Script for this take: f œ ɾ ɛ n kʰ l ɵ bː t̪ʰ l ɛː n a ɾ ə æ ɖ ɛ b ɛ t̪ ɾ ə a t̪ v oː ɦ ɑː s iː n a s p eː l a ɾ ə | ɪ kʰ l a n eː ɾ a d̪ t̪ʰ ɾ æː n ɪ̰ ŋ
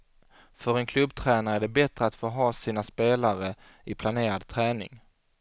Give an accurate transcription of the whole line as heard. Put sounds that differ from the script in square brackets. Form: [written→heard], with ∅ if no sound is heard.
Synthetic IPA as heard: f œ ɾ ɛ n kʰ l ɵ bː t̪ʰ [l→ɾ] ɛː n a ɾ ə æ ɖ ɛ b ɛ t̪ ɾ ə a t̪ [v→f] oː ɦ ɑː s iː n a s p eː l a ɾ ə | ɪ [kʰ→pʰ] l a n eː ɾ a d̪ t̪ʰ ɾ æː n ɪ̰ ŋ

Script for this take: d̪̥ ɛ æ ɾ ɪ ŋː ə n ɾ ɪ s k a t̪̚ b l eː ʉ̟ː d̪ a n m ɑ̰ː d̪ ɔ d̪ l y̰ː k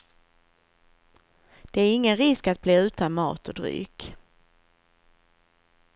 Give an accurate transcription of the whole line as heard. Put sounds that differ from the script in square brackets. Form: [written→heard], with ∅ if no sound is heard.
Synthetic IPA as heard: d̪̥ ɛ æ ɾ ɪ ŋː ə n ɾ ɪ s k a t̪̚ b l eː ʉ̟ː [d̪→t̪] a n m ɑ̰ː [d̪→t̪] ɔ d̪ [l→ɾ] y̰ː k

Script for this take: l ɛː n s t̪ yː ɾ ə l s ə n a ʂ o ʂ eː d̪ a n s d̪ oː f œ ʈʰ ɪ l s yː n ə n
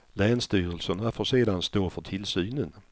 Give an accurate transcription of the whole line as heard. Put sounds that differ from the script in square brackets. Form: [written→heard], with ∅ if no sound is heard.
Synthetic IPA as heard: l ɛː n s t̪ yː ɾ ə l s ə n a [ʂ→f] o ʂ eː d̪ a n s [d̪→t̪] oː f œ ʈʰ ɪ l s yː n ə n

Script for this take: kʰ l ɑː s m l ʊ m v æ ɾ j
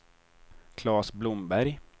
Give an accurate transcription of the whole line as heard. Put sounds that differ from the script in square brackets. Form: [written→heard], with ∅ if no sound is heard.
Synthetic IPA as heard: kʰ l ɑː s [m→b] l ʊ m [v→b] æ ɾ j

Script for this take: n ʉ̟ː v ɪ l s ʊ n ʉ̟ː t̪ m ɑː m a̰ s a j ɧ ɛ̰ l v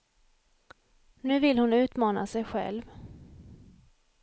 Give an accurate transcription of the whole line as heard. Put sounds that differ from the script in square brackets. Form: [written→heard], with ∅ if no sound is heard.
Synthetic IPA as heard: n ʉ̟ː v ɪ l [s→h] ʊ n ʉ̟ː t̪ m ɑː [m→n] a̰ s [a→ɛ] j ɧ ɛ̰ l v

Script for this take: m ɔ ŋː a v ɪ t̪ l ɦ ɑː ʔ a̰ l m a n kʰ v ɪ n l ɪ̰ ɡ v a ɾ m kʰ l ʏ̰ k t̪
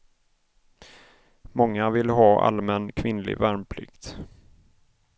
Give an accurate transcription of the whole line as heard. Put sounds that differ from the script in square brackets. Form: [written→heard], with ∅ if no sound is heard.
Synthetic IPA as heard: m ɔ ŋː a v ɪ [t̪→∅] l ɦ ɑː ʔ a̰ l m [a→ɛ] n kʰ v ɪ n l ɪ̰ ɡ v [a→æ] ɾ m [kʰ→pʰ] l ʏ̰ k t̪

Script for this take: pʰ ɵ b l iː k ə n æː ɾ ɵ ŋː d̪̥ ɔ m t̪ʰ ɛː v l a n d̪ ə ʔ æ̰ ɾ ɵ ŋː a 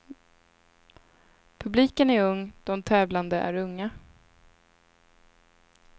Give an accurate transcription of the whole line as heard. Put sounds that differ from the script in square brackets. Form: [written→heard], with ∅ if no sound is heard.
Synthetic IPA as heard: pʰ ɵ b l iː k ə n [æː→æ] ɾ ɵ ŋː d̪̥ ɔ m t̪ʰ ɛː v l a n d̪ ə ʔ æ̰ ɾ ɵ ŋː a

